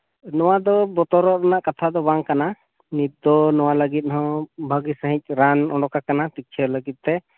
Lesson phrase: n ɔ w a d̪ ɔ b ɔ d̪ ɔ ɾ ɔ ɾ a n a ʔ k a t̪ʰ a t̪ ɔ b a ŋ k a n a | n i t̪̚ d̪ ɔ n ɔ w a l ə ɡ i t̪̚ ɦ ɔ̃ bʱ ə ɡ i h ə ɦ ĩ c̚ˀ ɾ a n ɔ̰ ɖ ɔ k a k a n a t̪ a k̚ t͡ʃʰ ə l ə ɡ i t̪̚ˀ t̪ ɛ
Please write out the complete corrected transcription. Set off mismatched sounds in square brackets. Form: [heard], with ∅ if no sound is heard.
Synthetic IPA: n ɔ w a d̪ ɔ b ɔ [t̪] ɔ ɾ ɔ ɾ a n a ʔ k a t̪ʰ a [d̪] ɔ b a ŋ k a n a | n i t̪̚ d̪ ɔ n ɔ w a l ə ɡ i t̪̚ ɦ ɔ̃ bʱ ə ɡ i [s] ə ɦ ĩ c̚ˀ ɾ a n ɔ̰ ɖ ɔ k a k a n a t̪ [i] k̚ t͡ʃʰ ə l ə ɡ i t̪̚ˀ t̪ ɛ